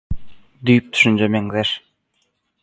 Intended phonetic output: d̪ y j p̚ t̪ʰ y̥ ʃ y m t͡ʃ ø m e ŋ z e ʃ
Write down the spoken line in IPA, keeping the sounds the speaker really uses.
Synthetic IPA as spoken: d̪ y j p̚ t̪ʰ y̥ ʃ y n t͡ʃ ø m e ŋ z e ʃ